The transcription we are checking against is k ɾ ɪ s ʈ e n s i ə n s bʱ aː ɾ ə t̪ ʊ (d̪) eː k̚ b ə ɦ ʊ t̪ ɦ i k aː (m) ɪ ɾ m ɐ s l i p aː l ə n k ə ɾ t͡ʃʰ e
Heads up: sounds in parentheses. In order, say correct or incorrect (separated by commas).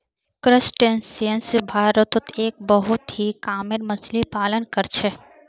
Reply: incorrect, correct